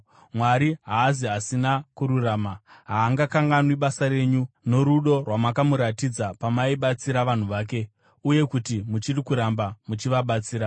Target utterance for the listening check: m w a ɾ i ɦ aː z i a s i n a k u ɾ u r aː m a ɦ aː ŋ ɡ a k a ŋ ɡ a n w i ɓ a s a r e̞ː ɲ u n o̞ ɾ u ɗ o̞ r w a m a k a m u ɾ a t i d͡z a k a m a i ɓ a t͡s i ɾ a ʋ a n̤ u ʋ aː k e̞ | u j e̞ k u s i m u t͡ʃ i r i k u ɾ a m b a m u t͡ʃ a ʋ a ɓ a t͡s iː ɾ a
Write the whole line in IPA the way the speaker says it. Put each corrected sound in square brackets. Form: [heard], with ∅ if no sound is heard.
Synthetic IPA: m w a ɾ i ɦ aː z i a s i n a k u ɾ u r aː m a ɦ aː ŋ ɡ a k a ŋ ɡ a n w i ɓ a s a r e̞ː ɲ u n o̞ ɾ u ɗ o̞ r w a m a k a m u ɾ a t i d͡z a [p] a m a i ɓ a t͡s i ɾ a ʋ a n̤ u ʋ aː k e̞ | u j e̞ k u [t] i m u t͡ʃ i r i k u ɾ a m b a m u t͡ʃ [i] ʋ a ɓ a t͡s iː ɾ a

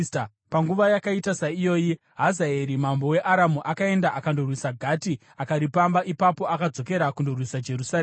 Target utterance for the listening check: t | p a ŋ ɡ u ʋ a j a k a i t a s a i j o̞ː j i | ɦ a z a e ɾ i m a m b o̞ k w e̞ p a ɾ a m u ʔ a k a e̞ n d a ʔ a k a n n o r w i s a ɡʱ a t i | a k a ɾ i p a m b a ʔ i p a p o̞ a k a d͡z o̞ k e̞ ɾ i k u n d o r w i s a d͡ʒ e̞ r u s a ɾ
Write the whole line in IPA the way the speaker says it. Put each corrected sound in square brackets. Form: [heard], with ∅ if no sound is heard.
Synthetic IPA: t | p a ŋ ɡ u ʋ a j a k a i t a s a i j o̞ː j i | ɦ a z a e ɾ i m a m b o̞ [∅] w e̞ [ʔ] a ɾ a m u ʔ a k a e̞ n d a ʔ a k a n [d] o r w i s a ɡʱ a t i | a k a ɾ i p a m b a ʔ i p a p o̞ a k a d͡z o̞ k e̞ ɾ [a] k u n d o r w i s a d͡ʒ e̞ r u s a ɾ

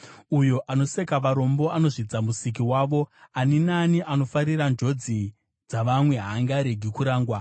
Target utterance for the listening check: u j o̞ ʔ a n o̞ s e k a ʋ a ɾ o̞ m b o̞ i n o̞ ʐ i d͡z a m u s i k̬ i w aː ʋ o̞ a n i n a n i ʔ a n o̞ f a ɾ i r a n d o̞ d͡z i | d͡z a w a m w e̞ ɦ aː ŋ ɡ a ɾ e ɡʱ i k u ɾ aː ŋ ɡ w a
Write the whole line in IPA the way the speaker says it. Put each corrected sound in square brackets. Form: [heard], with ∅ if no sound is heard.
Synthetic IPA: u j o̞ ʔ a n o̞ s e k a ʋ a ɾ o̞ m b o̞ [a] n o̞ ʐ i d͡z a m u s i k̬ i w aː ʋ o̞ a n i n a n i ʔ a n o̞ f a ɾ i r a n [d͡ʒ] o̞ d͡z i | d͡z a [ʋ] a m w e̞ ɦ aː ŋ ɡ a ɾ e ɡʱ i k u ɾ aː ŋ ɡ w a

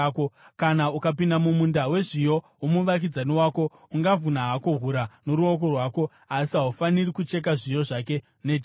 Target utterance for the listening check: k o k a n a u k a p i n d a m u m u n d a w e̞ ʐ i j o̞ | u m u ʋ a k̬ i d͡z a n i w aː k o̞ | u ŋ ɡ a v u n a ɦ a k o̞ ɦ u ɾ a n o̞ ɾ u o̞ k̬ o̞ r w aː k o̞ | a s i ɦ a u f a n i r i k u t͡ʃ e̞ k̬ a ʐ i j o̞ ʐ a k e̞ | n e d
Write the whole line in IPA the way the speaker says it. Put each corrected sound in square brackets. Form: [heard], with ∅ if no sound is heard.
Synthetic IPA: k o k a n a u k a p i n d a m u m u n d a w e̞ ʐ i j o̞ | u m u ʋ a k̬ i d͡z a n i w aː k o̞ | u ŋ ɡ a v u n a ɦ a k o̞ ɦ u ɾ a n o̞ ɾ u o̞ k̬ o̞ r w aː k o̞ | a s i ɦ a u f a n i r i k u t͡ʃ e̞ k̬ a ʐ i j o̞ ʐ a k e̞ | n e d

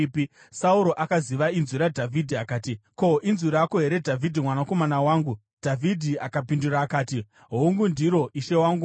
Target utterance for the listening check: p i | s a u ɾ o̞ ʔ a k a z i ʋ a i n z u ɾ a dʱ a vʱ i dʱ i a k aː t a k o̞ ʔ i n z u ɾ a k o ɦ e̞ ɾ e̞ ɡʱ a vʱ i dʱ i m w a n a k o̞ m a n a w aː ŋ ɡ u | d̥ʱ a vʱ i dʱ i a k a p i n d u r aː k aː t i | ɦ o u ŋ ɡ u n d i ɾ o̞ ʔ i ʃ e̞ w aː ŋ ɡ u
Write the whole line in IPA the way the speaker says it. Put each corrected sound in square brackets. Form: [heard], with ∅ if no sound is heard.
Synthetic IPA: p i | s a u ɾ o̞ ʔ a k a z i ʋ a i n z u ɾ a dʱ a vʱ i dʱ i a k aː t [i] k o̞ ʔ i n z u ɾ a k o ɦ e̞ ɾ e̞ [dʱ] a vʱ i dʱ i m w a n a k o̞ m a n a w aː ŋ ɡ u | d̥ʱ a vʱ i dʱ i a k a p i n d u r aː k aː t i | ɦ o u ŋ ɡ u n d i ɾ o̞ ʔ i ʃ e̞ w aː ŋ ɡ u

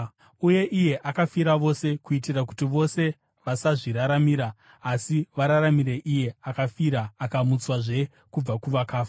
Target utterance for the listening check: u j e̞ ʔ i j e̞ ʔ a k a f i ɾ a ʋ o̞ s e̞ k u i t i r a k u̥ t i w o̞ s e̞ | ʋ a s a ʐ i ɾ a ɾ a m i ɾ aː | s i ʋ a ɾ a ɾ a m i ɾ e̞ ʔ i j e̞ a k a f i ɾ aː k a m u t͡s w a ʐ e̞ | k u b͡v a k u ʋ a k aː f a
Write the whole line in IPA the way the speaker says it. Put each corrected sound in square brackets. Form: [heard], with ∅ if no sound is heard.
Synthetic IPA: u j e̞ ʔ i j e̞ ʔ a k a f i ɾ a ʋ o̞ s e̞ k u i t i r a k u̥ t i [ʋ] o̞ s e̞ | ʋ a s a ʐ i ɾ a ɾ a m i ɾ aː | s i ʋ a ɾ a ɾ a m i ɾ e̞ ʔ i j e̞ a k a f i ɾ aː k a m u t͡s w a ʐ e̞ | k u b͡v a k u ʋ a k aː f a

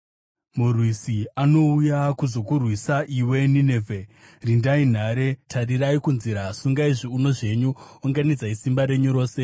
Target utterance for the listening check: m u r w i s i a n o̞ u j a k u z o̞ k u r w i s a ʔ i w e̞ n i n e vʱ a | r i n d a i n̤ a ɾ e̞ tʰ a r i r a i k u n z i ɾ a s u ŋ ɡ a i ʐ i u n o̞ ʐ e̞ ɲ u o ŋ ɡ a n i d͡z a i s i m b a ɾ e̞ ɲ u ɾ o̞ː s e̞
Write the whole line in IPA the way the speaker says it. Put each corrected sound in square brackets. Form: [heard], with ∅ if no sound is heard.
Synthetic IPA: m u r w i s i a n o̞ u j a k u z o̞ k u r w i s a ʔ i w e̞ n i n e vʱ [e] | r i n d a i n̤ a ɾ e̞ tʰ a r i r a i k u n z i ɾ a s u ŋ ɡ a i ʐ i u n o̞ ʐ e̞ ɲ u o ŋ ɡ a n i d͡z a i s i m b a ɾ e̞ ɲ u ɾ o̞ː s e̞

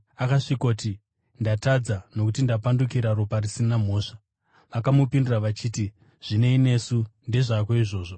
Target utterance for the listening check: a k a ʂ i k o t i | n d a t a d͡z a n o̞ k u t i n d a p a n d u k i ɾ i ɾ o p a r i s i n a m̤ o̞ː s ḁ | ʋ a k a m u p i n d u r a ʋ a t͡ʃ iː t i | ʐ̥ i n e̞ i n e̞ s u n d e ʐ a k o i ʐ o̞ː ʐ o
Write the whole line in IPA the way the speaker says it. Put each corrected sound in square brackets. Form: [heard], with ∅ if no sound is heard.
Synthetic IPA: a k a ʂ i k o t i | n d a t a d͡z a n o̞ k u t i n d a p a n d u k i ɾ [a] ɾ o p a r i s i n a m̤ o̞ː [ʂ] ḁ | ʋ a k a m u p i n d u r a ʋ a t͡ʃ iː t i | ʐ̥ i n e̞ i n e̞ s u n d e ʐ a k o i ʐ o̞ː ʐ o

